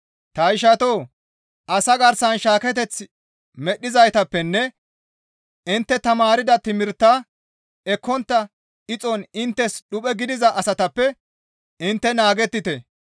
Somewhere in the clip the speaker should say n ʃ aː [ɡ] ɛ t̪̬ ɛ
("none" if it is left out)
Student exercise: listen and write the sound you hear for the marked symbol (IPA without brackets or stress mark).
k